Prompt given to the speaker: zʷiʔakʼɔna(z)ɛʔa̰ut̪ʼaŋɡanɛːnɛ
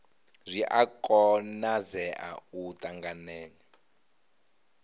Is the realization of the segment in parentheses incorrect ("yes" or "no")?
no